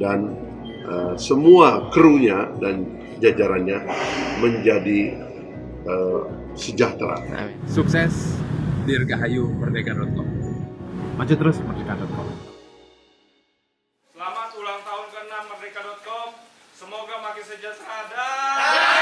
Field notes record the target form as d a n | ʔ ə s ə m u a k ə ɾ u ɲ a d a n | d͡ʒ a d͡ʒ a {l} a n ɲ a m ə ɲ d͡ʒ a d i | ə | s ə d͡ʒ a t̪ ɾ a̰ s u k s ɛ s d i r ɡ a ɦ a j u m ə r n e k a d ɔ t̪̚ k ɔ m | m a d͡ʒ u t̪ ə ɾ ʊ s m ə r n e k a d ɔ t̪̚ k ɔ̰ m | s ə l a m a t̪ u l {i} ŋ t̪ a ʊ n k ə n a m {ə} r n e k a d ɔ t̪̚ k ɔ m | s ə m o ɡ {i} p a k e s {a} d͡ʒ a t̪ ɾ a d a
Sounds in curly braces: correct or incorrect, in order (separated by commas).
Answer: incorrect, incorrect, correct, incorrect, incorrect